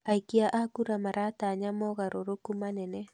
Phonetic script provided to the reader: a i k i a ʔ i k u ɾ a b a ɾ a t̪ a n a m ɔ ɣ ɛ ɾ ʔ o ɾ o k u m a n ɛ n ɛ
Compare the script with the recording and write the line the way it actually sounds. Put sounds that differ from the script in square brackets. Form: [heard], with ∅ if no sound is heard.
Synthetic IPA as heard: a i k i a ʔ [a] k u ɾ a [m] a ɾ a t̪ a [ɲ] a m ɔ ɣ [a] ɾ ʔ o ɾ o k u m a n ɛ n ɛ